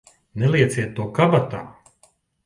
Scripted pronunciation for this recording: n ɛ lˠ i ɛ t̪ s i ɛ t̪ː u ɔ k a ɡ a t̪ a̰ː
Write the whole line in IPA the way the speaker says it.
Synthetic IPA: n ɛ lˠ i ɛ t̪ s i ɛ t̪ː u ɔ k a b a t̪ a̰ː